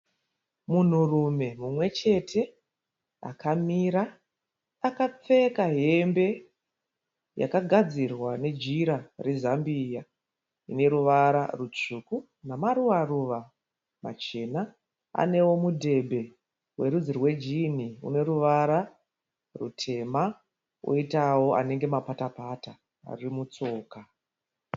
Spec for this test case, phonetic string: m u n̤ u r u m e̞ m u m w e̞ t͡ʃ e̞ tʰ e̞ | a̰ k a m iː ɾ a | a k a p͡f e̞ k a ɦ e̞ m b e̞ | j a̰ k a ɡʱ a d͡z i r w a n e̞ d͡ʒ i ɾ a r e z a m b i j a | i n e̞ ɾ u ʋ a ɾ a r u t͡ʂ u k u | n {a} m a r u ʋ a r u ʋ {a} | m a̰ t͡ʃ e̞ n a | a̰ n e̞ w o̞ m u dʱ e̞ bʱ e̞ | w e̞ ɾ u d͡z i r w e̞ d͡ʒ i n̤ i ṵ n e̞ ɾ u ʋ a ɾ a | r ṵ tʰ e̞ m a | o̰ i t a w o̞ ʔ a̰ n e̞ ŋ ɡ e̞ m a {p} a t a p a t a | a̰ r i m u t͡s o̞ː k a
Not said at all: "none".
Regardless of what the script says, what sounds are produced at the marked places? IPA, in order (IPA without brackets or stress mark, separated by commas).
a, a, p